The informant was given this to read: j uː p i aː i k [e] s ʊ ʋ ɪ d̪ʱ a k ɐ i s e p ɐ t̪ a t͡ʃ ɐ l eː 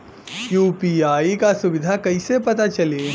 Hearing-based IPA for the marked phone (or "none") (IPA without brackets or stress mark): a